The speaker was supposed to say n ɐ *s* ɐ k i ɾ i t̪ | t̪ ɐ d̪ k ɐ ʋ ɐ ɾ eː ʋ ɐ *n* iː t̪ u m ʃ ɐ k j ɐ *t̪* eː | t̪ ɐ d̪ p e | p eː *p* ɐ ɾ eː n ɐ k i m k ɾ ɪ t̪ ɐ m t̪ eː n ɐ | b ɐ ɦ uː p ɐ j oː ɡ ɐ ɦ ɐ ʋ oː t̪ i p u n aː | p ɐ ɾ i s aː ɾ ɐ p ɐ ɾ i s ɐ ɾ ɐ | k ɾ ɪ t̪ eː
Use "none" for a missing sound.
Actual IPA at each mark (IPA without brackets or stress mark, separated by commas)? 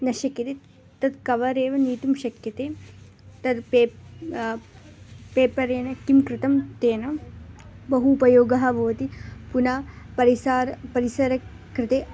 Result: ʃ, n, t̪, p